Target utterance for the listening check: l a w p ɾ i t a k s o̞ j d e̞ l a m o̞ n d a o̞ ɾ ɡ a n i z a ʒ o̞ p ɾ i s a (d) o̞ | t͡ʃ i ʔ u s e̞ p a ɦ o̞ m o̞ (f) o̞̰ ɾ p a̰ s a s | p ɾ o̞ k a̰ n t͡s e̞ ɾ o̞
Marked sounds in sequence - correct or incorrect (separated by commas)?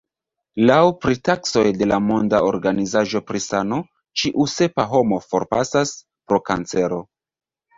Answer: incorrect, correct